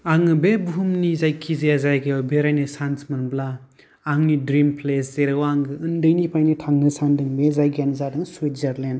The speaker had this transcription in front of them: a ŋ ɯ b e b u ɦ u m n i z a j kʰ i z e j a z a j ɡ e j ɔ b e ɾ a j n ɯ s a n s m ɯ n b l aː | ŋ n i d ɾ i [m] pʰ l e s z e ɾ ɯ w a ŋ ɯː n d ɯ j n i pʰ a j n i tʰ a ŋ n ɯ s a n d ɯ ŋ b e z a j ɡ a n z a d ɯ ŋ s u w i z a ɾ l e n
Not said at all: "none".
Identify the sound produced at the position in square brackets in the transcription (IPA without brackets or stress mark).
m